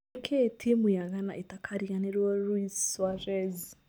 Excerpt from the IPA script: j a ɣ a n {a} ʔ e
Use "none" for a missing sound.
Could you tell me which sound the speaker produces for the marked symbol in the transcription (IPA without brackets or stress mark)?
a